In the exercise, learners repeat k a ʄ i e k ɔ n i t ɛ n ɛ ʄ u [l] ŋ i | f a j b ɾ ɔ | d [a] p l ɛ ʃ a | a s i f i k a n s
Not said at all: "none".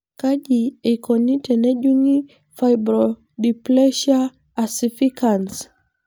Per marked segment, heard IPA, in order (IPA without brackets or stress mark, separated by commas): none, i